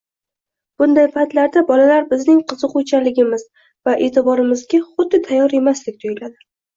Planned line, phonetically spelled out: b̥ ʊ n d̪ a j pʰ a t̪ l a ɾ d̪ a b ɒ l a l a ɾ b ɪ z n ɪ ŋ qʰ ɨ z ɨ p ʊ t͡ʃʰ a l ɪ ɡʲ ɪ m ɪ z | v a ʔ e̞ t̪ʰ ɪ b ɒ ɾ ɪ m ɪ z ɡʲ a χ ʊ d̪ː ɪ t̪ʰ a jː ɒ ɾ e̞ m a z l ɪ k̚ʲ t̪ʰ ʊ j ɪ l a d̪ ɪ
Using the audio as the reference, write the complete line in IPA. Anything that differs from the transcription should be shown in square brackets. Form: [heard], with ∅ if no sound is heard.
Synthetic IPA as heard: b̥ ʊ n d̪ a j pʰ a t̪ l a ɾ d̪ a b ɒ l a l a ɾ b ɪ z n ɪ ŋ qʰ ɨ z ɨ [q] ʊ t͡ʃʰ a l ɪ ɡʲ ɪ m ɪ z | v a ʔ e̞ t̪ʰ ɪ b ɒ ɾ ɪ m ɪ z ɡʲ a χ ʊ d̪ː ɪ t̪ʰ a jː ɒ ɾ e̞ m a [s] l ɪ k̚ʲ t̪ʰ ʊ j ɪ l a d̪ ɪ